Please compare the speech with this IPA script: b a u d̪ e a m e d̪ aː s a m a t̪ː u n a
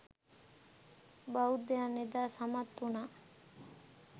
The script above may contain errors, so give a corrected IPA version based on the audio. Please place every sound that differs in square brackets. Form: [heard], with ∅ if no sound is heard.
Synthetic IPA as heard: b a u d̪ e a [n] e d̪ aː s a m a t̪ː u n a

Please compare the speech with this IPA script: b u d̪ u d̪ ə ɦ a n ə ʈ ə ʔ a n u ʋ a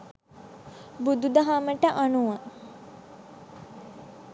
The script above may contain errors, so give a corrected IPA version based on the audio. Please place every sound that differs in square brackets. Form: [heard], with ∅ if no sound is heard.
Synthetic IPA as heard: b u d̪ u d̪ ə ɦ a [m] ə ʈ ə ʔ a n u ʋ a

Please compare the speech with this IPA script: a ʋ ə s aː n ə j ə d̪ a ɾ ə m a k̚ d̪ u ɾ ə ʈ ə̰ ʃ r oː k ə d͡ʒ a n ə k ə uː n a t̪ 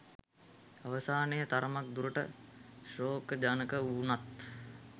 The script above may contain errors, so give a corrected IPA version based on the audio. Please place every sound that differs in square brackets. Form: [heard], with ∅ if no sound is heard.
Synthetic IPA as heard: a ʋ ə s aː n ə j ə [t̪] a ɾ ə m a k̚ d̪ u ɾ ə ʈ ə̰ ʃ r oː k ə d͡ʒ a n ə k ə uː n a t̪

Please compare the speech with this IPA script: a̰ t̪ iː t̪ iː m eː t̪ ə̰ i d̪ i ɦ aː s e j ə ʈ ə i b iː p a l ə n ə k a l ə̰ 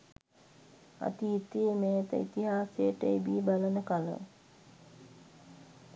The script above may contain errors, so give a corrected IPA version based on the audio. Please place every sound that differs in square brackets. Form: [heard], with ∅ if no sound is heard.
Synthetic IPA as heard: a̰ t̪ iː t̪ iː m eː t̪ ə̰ i [t̪] i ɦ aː s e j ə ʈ ə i b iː [b] a l ə n ə k a l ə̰

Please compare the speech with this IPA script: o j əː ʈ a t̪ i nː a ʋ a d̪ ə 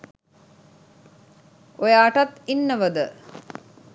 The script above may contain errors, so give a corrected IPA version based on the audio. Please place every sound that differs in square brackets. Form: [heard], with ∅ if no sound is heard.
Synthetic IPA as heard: o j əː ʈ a t̪ i nː [ə] ʋ [ə] d̪ ə

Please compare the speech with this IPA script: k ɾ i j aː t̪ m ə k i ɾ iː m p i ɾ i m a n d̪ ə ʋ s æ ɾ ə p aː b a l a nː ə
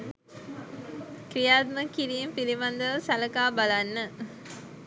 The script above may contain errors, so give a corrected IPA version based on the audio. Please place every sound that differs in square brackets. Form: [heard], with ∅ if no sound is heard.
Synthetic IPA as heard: k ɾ i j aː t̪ m ə k i ɾ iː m p i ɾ i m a n d̪ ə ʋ s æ [l] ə [k] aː b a l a nː ə

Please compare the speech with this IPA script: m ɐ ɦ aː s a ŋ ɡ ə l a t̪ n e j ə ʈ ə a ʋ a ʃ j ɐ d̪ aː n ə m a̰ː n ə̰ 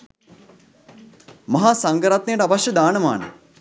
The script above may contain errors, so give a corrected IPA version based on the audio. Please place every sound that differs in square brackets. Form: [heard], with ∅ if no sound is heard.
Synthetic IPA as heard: m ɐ ɦ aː s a ŋ ɡ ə [ɾ] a t̪ n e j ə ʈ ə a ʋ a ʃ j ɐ d̪ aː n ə m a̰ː n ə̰

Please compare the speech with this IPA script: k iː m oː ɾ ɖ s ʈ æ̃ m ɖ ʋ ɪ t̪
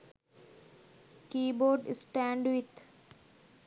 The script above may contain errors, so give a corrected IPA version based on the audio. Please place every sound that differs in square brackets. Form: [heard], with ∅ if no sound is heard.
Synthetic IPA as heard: k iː [b] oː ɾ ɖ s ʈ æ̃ [ɳ] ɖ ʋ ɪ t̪

